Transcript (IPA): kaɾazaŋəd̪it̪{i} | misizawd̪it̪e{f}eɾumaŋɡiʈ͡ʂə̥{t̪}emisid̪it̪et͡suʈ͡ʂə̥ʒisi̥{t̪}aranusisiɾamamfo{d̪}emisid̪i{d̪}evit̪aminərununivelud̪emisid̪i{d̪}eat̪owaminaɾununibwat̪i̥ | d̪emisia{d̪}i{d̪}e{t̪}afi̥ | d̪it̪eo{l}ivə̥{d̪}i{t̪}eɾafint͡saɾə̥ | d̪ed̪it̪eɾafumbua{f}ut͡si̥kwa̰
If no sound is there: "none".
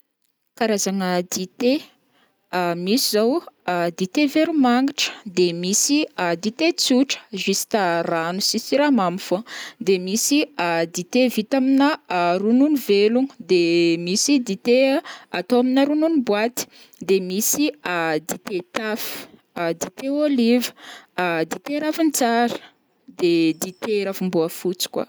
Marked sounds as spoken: e, v, d̪, t̪, d̪, t̪, t̪, d̪, t̪, t̪, l, d̪, t̪, f

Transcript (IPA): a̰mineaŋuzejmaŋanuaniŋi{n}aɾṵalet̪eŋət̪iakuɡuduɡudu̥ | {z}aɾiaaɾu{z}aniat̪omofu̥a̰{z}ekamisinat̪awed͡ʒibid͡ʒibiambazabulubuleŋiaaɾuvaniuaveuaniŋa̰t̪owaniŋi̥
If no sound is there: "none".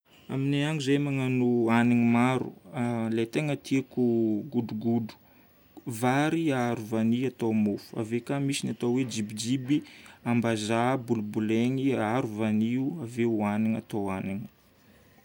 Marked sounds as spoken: m, v, v, v

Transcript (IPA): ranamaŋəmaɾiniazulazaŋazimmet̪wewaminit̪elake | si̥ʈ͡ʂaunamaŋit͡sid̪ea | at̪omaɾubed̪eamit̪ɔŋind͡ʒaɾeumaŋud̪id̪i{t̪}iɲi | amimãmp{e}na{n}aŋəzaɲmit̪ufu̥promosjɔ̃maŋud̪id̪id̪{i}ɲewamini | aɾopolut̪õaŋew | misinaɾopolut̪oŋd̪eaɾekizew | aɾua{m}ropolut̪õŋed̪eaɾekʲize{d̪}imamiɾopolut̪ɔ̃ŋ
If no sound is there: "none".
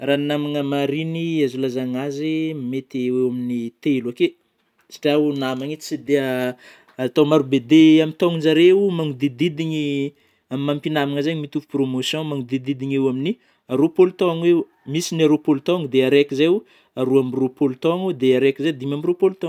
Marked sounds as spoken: d̪, i, m, i, m, d̪

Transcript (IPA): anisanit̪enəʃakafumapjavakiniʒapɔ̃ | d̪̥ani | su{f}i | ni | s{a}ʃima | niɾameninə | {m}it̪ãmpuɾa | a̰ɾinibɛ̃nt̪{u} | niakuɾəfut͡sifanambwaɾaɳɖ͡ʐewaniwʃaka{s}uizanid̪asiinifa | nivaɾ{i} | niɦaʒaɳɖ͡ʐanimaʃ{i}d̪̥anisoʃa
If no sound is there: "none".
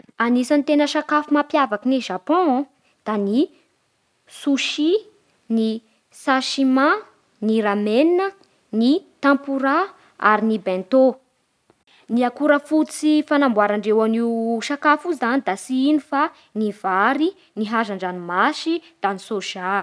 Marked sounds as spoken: ʃ, a, n, o, f, i, i

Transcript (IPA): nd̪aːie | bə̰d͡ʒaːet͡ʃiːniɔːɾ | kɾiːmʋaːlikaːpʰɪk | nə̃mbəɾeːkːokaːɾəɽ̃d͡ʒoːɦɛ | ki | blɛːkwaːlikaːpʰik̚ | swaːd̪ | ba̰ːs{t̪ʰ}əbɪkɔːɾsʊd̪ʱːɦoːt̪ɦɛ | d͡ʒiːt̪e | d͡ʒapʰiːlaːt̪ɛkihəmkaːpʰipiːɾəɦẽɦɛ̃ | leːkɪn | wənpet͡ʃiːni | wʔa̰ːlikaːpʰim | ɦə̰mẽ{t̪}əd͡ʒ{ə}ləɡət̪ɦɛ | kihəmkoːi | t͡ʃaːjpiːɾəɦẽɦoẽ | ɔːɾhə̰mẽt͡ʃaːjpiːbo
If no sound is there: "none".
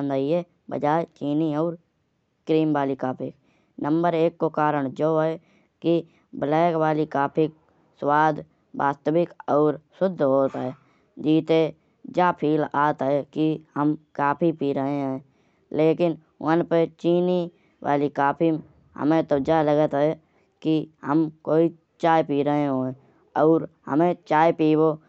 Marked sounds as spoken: t̪, t̪, a

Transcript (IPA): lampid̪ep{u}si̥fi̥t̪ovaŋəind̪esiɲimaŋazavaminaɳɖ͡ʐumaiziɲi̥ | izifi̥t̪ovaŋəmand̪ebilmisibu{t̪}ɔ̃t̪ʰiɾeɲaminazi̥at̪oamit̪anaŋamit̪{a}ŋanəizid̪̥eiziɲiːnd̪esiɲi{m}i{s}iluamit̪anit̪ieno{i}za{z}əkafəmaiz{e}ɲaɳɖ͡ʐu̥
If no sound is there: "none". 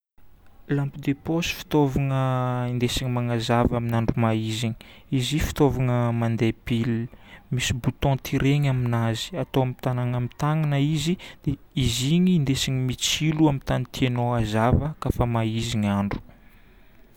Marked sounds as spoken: o, t̪, a, m, t͡s, a, v, i

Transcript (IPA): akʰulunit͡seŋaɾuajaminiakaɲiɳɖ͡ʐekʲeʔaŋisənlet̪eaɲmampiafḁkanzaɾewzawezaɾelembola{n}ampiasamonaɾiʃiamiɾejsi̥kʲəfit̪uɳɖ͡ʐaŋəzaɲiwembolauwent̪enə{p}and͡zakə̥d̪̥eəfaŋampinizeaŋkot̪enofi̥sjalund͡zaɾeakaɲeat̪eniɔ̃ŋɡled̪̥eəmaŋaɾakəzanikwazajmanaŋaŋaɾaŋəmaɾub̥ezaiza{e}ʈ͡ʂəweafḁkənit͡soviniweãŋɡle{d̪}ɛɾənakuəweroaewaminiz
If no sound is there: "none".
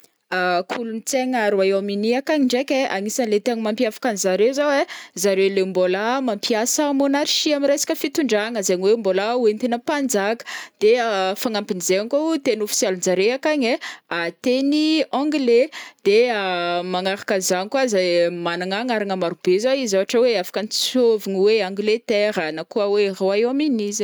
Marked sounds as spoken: m, p, a, t̪

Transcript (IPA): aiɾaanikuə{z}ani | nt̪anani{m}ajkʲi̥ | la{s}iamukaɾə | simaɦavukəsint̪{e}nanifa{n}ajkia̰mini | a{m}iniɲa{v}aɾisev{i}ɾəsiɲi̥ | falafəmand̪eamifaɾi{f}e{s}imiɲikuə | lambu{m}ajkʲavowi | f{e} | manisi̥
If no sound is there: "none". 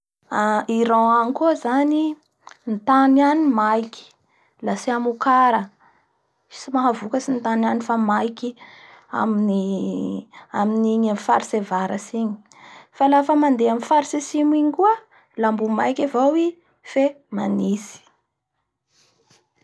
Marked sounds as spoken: z, m, s, a, m, m, f, a, s, s, m, e

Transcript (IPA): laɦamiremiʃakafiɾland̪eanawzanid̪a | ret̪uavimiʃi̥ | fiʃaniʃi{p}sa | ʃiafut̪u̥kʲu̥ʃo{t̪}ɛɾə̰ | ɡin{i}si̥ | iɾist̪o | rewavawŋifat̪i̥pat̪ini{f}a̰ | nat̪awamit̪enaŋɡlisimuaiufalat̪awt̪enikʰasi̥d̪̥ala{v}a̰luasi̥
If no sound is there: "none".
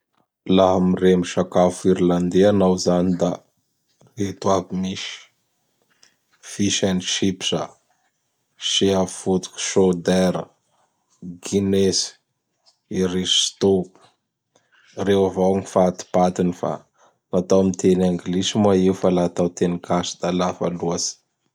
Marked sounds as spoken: p, d̪, e, f, f

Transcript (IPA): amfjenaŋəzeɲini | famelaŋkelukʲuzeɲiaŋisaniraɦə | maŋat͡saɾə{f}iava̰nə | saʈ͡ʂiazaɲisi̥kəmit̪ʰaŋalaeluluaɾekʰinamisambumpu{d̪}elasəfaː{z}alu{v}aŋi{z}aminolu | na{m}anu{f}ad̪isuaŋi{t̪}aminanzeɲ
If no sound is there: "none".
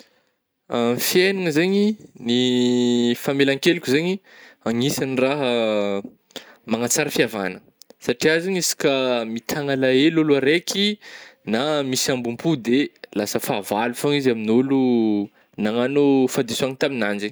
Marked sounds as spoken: f, d̪, v, f, z, ŋ, f, t̪

